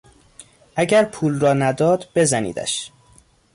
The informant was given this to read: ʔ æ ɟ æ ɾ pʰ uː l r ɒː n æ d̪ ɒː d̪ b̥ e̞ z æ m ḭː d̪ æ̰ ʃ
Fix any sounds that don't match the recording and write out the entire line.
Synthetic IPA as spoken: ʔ æ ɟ æ ɾ pʰ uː l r ɒː n æ d̪ ɒː d̪ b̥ e̞ z æ n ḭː d̪ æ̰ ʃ

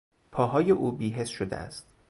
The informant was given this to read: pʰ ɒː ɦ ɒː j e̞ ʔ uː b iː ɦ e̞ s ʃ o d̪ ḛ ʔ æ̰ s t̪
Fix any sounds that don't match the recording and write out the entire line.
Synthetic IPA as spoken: pʰ ɒː ɦ ɒː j e̞ ʔ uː b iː ɦ e̞ s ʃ o d̪ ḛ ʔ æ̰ s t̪

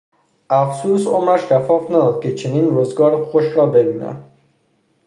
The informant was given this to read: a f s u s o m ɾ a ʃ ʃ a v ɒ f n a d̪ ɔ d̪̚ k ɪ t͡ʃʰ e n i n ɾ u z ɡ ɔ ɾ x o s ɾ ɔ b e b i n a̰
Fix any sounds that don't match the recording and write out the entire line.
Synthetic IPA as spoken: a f s u s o m ɾ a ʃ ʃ a f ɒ f n a d̪ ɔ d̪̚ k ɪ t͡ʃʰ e n i n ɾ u z ɡ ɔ ɾ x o ʃ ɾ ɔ b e b i n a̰

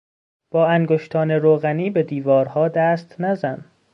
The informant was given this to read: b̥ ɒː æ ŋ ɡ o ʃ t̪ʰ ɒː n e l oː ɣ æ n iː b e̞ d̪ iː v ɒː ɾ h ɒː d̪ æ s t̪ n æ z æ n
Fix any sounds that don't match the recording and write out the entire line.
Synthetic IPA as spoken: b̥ ɒː æ ŋ ɡ o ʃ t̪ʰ ɒː n e ɾ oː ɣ æ n iː b e̞ d̪ iː v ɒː ɾ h ɒː d̪ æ s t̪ n æ z æ n

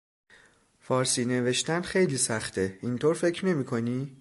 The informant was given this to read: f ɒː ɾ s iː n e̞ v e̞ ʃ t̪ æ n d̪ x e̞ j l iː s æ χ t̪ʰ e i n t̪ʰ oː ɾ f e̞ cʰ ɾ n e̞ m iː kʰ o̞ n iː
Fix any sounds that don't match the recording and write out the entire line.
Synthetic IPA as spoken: f ɒː ɾ s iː n e̞ v e̞ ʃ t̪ æ n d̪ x e̞ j l iː s æ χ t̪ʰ e i n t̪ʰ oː ɾ f e̞ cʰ ɾ n e̞ m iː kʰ o̞ n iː

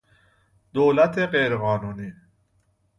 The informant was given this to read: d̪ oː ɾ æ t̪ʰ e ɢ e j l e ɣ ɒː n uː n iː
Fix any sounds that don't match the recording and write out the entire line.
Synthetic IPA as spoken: d̪ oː l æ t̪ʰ e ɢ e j ɾ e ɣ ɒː n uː n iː

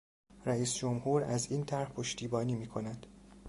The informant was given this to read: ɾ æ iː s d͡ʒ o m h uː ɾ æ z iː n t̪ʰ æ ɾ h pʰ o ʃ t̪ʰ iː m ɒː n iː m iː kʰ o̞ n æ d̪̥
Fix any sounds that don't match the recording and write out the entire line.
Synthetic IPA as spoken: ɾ æ iː s d͡ʒ o m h uː ɾ æ z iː n t̪ʰ æ ɾ h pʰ o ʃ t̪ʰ iː b ɒː n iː m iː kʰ o̞ n æ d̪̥

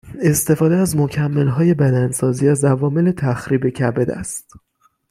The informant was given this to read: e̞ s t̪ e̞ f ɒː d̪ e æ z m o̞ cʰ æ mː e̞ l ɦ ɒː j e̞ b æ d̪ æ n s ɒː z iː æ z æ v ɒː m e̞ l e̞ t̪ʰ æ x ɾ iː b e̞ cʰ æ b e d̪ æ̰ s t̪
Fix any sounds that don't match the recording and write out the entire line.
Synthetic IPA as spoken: e̞ s t̪ e̞ f ɒː d̪ e æ z m o̞ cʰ æ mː e̞ l ɦ ɒː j e̞ b æ d̪ æ n s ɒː z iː æ z æ v ɒː m e̞ l e̞ t̪ʰ æ x ɾ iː b e̞ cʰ æ b e d̪ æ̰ s t̪

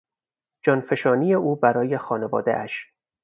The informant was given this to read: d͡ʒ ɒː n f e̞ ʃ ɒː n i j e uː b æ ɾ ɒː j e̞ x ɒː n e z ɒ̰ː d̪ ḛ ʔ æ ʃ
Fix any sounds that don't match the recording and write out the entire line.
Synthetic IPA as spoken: d͡ʒ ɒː n f e̞ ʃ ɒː n i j e uː b æ ɾ ɒː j e̞ x ɒː n e v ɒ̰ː d̪ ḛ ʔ æ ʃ

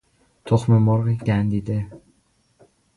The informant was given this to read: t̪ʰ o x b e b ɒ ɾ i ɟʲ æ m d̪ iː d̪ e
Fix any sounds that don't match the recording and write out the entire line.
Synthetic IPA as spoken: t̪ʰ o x m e m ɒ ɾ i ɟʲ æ n d̪ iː d̪ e

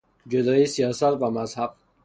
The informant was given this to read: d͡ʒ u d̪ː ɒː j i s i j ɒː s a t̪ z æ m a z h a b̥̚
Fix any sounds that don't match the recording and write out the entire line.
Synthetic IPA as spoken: d͡ʒ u d̪ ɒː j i s i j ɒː s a t̪ v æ m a z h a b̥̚

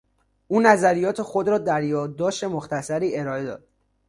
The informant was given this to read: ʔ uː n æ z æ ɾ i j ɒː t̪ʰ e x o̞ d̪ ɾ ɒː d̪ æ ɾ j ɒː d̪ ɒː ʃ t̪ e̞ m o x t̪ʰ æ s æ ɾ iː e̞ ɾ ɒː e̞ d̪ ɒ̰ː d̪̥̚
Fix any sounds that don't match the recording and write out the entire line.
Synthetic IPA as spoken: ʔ uː n æ z æ ɾ i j ɒː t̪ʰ e x o̞ d̪ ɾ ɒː d̪ æ ɾ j ɒː d̪ː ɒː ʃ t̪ e̞ m o x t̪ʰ æ s æ ɾ iː e̞ ɾ ɒː e̞ d̪ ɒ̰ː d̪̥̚

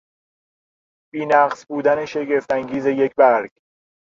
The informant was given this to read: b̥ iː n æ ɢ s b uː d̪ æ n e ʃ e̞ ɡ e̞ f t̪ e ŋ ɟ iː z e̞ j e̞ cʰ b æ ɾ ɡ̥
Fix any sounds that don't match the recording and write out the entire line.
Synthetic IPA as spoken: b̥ iː n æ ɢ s b uː d̪ æ n e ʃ e̞ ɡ e̞ f t̪ æ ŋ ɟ iː z e̞ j e̞ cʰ b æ ɾ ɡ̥

